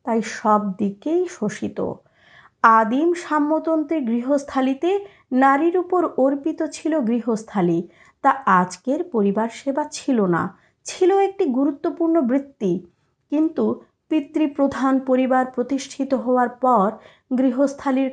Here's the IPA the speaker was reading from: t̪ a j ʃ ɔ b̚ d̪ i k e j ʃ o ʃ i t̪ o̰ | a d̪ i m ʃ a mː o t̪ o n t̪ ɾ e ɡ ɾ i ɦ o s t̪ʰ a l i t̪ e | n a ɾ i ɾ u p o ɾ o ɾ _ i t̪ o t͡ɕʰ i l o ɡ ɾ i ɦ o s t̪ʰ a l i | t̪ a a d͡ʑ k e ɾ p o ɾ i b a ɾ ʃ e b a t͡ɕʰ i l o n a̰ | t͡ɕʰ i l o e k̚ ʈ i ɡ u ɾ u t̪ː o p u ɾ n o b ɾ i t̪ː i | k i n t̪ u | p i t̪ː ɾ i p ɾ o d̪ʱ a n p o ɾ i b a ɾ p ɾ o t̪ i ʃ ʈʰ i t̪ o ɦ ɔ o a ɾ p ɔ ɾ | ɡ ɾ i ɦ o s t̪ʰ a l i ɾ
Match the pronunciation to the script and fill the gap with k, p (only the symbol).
p